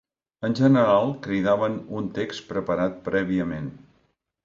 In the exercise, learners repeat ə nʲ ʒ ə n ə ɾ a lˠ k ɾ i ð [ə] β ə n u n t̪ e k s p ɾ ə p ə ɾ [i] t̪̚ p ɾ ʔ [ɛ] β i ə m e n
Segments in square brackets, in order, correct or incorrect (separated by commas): incorrect, incorrect, correct